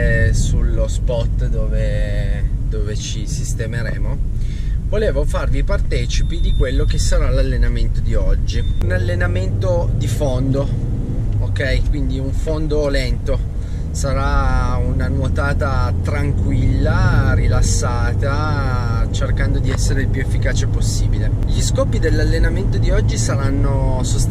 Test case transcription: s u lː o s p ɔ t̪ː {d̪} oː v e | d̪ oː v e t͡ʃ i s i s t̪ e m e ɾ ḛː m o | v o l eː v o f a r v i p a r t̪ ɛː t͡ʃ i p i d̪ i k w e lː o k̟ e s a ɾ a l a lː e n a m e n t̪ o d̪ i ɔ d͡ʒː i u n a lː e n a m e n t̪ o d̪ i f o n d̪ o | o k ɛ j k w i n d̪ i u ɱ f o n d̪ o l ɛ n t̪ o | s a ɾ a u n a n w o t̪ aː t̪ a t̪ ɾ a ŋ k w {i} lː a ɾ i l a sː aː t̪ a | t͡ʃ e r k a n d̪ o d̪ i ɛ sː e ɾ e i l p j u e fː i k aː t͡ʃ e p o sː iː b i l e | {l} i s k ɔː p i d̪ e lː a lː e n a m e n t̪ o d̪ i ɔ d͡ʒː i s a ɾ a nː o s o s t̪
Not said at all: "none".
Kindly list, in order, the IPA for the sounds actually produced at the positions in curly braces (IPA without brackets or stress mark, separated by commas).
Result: d̪, i, ʎ